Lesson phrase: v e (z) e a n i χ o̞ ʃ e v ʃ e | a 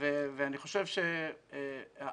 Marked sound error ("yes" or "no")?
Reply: yes